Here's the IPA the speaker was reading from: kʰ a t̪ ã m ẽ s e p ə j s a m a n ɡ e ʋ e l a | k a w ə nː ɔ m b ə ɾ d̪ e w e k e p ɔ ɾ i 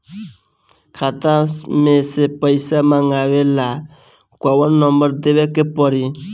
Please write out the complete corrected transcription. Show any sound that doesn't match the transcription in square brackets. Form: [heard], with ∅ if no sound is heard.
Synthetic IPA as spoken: kʰ a t̪ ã m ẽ s e p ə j s a m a [ŋ] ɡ [a] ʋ e l a | k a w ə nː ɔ m b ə ɾ d̪ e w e k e p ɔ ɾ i